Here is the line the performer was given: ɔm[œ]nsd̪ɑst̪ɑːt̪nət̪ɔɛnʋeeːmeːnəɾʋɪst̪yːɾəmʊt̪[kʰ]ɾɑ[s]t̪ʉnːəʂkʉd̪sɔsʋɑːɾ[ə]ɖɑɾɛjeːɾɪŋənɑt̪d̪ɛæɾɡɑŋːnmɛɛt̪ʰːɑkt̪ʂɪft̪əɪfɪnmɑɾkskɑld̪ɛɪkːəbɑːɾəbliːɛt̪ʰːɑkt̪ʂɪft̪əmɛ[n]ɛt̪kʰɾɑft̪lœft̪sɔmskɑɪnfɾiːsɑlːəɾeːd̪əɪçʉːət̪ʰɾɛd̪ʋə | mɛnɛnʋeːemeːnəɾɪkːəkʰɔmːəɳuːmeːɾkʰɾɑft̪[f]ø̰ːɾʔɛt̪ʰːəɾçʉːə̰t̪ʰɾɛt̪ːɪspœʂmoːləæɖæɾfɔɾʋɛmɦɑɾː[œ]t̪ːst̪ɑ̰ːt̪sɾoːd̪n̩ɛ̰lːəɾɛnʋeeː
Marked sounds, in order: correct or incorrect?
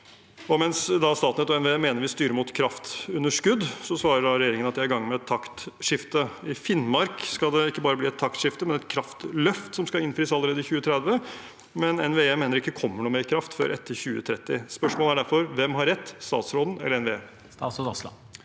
incorrect: ɛ, correct, incorrect: f, correct, correct, correct, incorrect: ɛ

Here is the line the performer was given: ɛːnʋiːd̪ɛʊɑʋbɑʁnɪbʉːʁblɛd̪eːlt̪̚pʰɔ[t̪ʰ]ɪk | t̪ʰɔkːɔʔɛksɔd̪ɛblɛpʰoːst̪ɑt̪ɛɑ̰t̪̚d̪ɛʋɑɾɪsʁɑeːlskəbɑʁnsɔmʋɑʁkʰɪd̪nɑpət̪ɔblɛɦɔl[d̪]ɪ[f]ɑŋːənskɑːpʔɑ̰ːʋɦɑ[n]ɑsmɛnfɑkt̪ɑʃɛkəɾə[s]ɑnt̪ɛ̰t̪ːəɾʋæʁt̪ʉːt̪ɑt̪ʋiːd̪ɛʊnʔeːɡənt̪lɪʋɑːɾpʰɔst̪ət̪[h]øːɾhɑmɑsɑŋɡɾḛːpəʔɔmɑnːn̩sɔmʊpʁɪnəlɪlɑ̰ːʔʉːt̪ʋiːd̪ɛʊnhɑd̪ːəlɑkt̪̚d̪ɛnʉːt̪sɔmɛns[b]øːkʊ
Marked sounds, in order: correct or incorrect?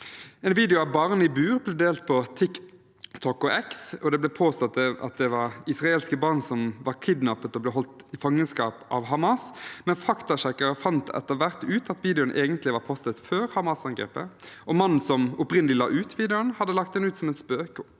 correct, incorrect: t̪, correct, incorrect: m, incorrect: f, incorrect: f, incorrect: p

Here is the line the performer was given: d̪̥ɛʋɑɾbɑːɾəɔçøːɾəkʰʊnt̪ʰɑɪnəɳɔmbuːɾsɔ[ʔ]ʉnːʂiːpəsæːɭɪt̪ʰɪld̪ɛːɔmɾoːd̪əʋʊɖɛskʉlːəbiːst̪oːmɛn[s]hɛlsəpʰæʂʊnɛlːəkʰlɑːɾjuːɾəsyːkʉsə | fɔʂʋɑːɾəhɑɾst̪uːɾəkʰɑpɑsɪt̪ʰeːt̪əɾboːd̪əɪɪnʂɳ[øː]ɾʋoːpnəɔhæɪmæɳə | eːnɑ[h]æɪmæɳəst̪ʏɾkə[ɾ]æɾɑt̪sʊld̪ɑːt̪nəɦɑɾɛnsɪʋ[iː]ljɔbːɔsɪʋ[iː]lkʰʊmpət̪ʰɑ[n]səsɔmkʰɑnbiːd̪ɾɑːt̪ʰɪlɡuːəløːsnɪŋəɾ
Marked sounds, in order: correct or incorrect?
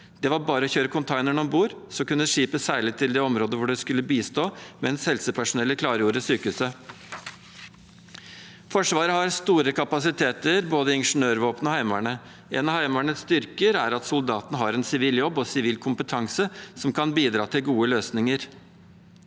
incorrect: k, correct, correct, correct, correct, correct, correct, incorrect: ŋ

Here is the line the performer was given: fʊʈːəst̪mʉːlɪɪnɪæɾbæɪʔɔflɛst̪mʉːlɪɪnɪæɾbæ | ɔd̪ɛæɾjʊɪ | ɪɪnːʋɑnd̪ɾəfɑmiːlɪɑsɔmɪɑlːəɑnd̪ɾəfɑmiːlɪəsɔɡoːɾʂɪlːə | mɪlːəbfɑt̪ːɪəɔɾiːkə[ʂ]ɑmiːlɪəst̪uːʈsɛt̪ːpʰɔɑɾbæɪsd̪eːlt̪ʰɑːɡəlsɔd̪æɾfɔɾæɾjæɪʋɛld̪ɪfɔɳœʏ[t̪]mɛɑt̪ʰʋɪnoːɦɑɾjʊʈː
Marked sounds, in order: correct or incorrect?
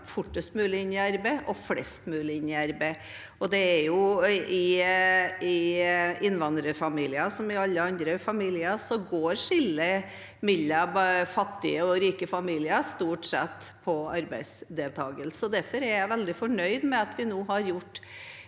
incorrect: f, incorrect: d̪

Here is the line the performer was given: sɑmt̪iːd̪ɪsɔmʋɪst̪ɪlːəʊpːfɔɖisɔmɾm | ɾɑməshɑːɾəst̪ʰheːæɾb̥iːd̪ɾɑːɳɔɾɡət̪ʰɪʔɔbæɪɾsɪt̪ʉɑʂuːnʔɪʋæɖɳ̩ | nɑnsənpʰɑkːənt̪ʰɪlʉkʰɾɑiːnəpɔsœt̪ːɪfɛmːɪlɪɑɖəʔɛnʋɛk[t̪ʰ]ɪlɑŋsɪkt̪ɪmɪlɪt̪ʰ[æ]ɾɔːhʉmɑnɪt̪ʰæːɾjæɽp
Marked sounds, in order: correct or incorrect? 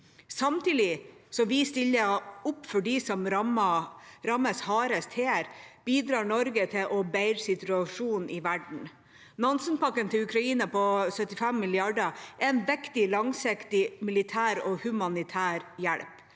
incorrect: t̪, incorrect: æː

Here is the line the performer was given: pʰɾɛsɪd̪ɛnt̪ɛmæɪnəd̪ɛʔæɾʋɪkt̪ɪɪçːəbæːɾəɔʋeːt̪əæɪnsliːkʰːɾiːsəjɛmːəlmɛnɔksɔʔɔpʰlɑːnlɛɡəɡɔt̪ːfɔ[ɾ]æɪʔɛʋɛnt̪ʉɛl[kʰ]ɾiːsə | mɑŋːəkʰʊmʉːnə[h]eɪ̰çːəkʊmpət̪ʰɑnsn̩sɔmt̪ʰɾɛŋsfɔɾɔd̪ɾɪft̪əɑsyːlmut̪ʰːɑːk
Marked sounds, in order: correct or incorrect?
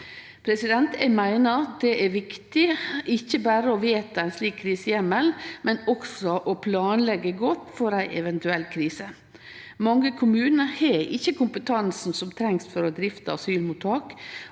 correct, correct, correct

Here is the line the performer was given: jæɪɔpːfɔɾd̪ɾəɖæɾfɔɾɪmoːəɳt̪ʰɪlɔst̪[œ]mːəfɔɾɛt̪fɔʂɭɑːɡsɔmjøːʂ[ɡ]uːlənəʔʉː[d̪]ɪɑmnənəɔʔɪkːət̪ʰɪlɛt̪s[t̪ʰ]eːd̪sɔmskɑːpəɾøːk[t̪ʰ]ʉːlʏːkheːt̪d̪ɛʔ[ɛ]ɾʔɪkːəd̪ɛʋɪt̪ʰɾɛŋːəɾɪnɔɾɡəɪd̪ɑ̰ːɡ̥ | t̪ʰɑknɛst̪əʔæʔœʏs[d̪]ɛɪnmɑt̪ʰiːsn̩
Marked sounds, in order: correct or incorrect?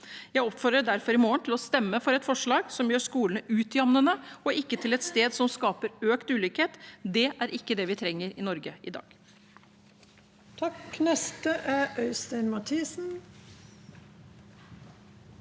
incorrect: ɛ, incorrect: k, incorrect: t̪, incorrect: t̪, incorrect: t̪, incorrect: æ, incorrect: t̪

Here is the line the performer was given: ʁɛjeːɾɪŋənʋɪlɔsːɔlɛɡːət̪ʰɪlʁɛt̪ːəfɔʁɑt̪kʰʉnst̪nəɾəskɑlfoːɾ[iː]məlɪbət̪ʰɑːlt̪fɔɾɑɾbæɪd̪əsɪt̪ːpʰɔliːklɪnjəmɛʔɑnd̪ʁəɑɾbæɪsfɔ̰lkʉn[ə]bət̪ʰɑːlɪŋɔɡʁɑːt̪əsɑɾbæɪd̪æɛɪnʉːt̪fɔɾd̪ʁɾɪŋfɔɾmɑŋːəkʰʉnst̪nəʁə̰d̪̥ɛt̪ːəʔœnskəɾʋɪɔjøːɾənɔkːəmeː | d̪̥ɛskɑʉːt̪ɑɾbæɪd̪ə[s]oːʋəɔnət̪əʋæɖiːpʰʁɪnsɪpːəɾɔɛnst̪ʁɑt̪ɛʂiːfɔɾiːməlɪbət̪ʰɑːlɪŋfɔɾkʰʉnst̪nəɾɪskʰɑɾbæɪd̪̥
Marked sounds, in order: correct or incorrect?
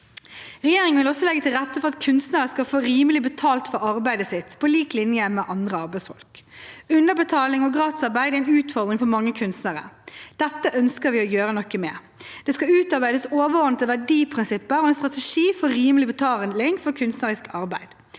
correct, correct, correct

